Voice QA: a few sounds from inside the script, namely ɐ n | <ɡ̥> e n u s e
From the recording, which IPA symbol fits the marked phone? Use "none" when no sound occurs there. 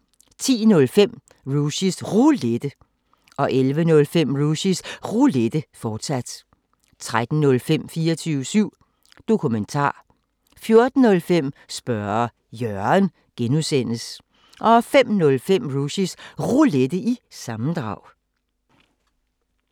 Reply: ɡ̥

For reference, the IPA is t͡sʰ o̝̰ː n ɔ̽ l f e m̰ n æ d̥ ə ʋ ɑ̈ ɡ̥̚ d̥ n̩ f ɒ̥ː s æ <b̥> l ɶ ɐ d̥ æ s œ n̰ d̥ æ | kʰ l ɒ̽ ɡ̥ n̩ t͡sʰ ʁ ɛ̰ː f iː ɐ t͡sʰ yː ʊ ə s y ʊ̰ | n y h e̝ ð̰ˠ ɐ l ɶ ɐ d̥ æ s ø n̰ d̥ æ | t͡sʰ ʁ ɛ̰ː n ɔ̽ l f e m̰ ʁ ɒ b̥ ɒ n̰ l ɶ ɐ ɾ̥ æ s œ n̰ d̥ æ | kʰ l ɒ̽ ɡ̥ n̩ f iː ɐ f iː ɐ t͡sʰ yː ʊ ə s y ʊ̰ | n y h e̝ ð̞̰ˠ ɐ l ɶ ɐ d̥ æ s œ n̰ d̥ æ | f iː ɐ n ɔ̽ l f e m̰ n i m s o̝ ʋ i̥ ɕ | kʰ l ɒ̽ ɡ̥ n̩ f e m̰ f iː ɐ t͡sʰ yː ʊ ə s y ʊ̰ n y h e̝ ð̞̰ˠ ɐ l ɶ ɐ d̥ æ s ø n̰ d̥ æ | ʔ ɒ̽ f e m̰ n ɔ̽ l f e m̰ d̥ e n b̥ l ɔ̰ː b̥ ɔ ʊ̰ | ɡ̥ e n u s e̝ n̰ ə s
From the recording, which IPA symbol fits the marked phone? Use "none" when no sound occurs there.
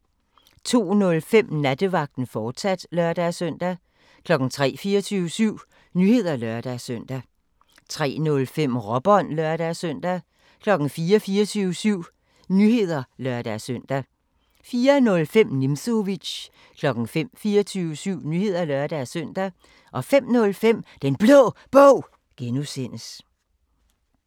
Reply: d̥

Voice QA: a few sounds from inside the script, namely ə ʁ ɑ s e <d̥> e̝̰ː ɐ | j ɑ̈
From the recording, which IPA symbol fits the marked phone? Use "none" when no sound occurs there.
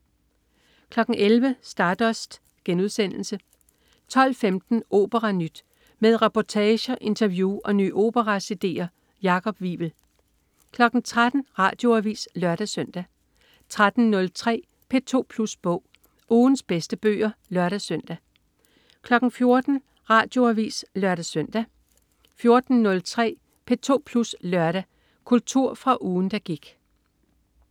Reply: d̥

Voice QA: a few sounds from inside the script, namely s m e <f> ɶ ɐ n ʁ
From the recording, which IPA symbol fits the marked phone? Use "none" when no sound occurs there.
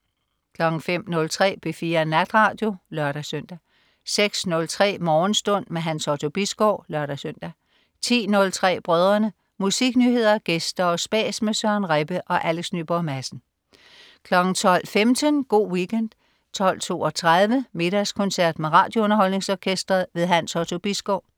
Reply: s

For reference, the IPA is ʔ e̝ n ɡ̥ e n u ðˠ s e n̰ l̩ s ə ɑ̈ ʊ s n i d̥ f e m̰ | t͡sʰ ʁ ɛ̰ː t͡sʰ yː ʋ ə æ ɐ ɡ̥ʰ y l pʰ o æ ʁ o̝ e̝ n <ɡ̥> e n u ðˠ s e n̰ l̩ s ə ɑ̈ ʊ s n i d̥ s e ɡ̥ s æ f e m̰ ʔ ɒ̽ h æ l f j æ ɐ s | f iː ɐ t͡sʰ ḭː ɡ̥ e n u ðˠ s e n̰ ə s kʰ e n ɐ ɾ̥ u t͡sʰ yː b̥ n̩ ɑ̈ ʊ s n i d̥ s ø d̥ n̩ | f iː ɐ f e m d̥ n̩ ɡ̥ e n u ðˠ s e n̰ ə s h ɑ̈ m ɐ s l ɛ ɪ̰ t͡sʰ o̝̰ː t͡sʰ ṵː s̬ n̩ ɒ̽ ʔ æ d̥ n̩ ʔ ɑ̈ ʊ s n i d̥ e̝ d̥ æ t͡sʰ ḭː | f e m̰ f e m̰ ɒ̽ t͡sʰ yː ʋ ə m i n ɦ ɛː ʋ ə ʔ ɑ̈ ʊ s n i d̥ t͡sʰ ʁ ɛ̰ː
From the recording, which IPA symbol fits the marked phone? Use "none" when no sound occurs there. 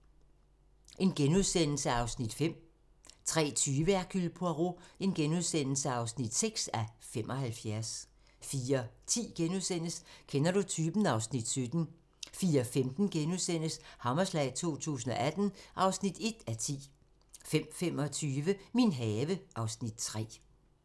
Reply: ɡ̥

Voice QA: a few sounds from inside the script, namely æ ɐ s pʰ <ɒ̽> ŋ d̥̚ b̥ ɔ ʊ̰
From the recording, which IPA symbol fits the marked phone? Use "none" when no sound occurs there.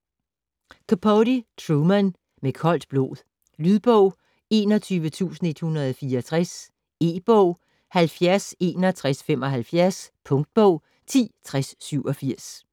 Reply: ɔ̽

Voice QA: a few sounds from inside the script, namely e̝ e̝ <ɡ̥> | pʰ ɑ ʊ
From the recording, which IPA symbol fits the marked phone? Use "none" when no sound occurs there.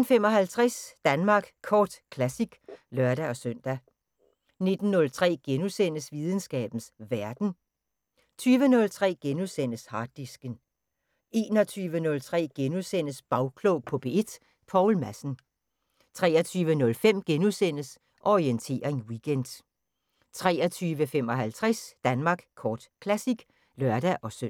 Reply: d̥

